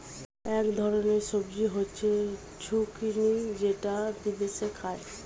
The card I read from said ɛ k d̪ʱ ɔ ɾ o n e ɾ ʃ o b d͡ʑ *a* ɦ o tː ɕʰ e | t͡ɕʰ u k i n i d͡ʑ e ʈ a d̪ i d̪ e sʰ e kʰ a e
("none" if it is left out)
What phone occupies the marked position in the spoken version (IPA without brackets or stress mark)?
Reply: i